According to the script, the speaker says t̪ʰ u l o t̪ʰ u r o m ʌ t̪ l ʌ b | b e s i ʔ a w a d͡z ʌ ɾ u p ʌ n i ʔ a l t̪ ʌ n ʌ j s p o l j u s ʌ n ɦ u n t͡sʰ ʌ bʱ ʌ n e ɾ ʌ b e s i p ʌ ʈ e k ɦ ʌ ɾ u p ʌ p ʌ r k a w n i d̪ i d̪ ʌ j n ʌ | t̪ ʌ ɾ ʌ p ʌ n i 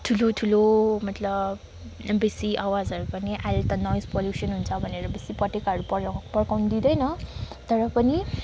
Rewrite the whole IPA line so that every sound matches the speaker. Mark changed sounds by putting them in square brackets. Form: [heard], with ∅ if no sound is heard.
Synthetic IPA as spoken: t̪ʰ u l o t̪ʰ u [l] o m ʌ t̪ l ʌ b | b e s i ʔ a w a d͡z ʌ ɾ u p ʌ n i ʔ a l t̪ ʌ n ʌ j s p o l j u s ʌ n ɦ u n t͡sʰ ʌ bʱ ʌ n e ɾ ʌ b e s i p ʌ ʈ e k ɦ ʌ ɾ u p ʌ p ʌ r k a w n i d̪ i d̪ ʌ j n ʌ | t̪ ʌ ɾ ʌ p ʌ n i